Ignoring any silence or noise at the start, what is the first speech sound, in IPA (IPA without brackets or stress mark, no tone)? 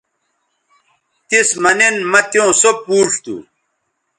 t̪